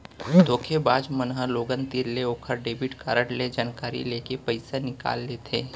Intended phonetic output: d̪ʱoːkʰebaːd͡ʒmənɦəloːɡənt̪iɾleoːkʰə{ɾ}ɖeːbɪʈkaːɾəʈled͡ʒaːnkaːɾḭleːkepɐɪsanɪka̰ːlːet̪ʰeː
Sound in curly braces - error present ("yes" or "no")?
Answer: no